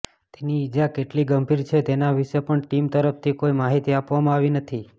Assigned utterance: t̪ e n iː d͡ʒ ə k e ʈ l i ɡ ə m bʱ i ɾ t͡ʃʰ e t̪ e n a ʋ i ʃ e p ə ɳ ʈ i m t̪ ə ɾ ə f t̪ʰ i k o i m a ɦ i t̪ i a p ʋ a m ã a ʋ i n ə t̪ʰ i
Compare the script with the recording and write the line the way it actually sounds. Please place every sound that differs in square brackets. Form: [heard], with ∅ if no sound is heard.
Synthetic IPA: t̪ e n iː d͡ʒ [a] k e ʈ l i ɡ ə m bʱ i ɾ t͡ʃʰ e t̪ e n a ʋ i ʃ e p ə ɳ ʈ i m t̪ ə ɾ ə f t̪ʰ i k o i m a ɦ i t̪ i a p ʋ a m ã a ʋ i n ə t̪ʰ i